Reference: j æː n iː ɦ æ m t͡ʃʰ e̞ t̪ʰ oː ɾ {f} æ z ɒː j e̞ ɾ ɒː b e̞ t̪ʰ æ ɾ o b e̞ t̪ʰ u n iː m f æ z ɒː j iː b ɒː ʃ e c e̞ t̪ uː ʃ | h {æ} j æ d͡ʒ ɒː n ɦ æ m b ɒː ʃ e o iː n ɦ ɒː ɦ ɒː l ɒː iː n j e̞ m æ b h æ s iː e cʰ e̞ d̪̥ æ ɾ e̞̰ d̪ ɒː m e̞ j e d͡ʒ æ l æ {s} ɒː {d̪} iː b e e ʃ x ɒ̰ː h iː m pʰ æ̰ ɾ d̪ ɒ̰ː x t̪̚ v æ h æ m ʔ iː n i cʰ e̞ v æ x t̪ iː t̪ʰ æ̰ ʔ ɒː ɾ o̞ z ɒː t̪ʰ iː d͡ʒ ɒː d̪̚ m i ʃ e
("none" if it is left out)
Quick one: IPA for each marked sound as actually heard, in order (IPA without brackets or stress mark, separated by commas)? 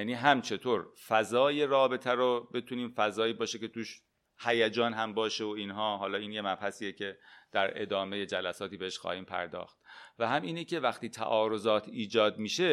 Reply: f, æ, s, t̪